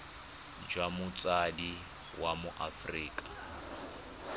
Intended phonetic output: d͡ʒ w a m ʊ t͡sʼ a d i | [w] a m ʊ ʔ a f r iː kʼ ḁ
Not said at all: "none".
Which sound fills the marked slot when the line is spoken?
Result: w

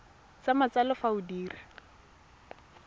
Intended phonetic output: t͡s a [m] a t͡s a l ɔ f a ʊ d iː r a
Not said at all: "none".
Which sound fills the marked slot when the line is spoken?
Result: m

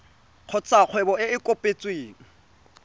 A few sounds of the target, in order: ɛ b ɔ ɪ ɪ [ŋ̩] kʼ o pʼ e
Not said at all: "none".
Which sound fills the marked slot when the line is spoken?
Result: none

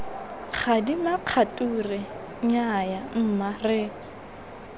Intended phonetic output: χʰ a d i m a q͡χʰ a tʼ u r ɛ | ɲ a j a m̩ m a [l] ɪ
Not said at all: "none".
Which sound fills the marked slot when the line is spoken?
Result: r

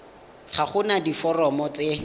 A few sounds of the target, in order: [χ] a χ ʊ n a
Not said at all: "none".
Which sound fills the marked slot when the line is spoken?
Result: χ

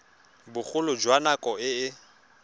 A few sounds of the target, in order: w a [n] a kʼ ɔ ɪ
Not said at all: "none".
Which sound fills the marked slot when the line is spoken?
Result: n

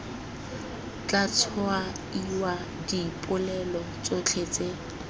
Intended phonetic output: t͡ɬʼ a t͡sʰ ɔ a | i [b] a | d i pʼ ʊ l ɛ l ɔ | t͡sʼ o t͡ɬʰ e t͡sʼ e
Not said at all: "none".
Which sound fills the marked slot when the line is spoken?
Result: w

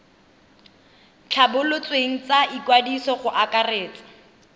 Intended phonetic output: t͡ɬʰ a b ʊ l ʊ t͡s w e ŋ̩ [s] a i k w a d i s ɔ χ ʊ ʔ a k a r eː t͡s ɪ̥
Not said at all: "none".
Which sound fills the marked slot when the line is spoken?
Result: t͡s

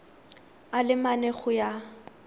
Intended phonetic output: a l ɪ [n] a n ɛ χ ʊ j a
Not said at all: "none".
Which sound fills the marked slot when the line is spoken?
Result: m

